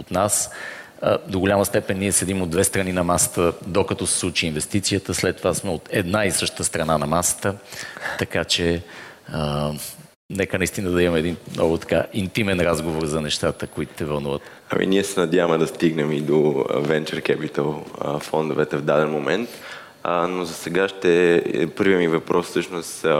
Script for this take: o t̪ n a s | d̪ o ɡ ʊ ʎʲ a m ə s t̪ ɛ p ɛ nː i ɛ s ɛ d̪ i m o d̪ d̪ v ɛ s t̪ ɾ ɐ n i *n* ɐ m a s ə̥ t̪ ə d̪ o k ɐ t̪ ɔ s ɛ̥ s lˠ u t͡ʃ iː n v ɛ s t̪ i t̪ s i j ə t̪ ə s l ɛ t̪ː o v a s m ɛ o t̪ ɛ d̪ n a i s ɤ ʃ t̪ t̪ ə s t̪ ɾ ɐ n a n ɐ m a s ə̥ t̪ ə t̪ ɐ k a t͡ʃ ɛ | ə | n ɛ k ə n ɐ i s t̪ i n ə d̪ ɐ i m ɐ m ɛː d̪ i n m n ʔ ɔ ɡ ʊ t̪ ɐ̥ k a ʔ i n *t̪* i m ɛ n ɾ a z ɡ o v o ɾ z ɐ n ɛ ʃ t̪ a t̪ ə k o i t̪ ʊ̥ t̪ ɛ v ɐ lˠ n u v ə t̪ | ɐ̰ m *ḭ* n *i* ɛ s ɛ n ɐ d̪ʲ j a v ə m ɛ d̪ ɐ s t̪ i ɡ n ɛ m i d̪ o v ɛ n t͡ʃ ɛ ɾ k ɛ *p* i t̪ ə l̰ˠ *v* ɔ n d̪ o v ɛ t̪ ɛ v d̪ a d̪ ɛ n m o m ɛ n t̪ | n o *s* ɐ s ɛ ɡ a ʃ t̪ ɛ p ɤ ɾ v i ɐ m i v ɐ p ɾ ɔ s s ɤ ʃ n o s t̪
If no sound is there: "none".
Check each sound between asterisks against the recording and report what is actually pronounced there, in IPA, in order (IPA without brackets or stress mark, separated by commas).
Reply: n, t̪, ḭ, i, p, f, z